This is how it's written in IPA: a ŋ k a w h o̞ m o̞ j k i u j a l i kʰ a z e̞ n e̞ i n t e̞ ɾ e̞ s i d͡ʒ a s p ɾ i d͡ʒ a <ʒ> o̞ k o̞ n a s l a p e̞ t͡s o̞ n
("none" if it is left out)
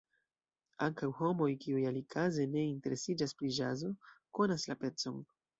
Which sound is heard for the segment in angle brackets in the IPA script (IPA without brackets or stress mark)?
z